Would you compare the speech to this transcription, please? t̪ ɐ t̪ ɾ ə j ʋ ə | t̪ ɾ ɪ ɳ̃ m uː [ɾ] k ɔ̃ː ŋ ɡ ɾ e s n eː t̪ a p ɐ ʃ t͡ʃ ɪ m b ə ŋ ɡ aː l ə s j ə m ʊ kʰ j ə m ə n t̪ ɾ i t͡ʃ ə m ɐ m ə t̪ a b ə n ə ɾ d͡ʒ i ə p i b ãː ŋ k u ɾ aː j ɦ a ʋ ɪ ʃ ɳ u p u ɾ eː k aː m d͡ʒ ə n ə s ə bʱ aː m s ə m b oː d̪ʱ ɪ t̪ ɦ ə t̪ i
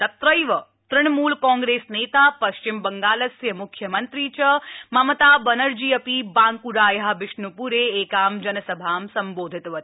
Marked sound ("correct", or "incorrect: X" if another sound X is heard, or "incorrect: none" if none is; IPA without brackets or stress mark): incorrect: l